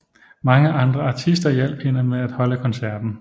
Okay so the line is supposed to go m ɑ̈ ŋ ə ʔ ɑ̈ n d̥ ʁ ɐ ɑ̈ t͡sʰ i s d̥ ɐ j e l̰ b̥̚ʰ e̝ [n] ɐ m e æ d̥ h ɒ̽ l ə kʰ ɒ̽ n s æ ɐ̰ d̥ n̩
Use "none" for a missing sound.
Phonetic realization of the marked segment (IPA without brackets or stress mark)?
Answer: n